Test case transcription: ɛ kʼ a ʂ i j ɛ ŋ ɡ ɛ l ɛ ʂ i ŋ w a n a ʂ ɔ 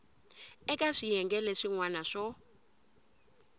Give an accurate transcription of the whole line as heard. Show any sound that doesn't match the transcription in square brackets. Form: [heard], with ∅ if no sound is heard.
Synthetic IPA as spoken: ɛ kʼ a ʂ i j ɛ ŋ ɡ ɛ l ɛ ʂ i ŋ w a n a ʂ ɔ